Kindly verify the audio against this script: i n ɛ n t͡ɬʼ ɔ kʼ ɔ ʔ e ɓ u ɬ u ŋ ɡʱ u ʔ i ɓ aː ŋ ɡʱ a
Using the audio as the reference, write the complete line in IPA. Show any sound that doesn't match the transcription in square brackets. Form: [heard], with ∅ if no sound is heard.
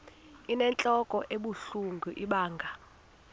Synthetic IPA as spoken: i n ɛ n t͡ɬʼ ɔ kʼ ɔ ʔ e ɓ u ɬ u ŋ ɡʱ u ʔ i ɓ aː ŋ ɡʱ a